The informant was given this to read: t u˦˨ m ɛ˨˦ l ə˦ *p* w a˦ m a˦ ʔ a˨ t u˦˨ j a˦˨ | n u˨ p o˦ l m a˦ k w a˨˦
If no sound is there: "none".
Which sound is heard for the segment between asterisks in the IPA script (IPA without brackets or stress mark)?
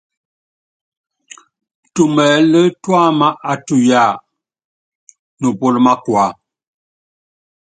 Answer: t